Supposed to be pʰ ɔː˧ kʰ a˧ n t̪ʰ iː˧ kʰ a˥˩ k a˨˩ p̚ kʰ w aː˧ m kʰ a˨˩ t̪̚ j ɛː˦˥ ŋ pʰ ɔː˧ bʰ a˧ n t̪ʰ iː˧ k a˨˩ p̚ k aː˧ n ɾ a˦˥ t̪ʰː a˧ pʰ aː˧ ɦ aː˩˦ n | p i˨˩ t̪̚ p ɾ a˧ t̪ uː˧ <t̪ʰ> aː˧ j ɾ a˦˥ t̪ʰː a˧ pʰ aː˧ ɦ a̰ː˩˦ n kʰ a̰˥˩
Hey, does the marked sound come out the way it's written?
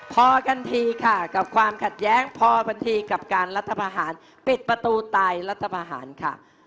no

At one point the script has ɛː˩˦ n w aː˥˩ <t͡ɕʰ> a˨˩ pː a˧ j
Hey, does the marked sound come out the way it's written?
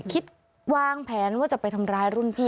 no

